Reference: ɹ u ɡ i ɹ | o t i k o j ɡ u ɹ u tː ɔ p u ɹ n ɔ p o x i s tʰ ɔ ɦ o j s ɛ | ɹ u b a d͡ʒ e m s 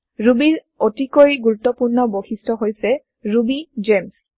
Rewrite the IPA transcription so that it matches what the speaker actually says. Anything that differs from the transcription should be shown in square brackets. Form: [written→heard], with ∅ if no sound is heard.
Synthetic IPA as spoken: ɹ u [ɡ→b] i ɹ | o t i k o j ɡ u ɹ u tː ɔ p u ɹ n ɔ [p→b] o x i s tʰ ɔ ɦ o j s ɛ | ɹ u b [a→i] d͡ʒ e m s